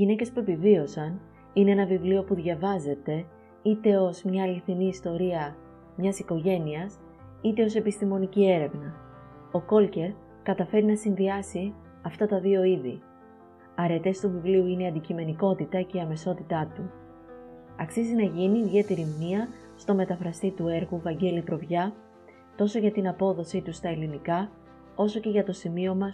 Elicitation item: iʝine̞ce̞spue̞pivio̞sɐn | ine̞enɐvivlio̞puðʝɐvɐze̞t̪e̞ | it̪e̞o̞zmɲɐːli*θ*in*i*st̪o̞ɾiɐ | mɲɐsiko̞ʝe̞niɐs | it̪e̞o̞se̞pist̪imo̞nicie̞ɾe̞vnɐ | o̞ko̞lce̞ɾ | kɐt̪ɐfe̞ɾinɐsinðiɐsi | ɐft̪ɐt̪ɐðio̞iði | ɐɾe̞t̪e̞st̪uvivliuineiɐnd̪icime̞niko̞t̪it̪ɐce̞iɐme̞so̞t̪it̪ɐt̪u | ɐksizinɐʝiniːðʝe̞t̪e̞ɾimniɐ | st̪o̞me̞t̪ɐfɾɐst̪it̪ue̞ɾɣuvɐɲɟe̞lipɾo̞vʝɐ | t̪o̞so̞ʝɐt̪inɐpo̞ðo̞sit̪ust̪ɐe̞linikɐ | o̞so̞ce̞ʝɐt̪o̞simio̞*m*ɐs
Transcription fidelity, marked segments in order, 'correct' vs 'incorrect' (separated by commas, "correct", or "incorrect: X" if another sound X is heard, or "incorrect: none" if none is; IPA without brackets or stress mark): correct, incorrect: iː, correct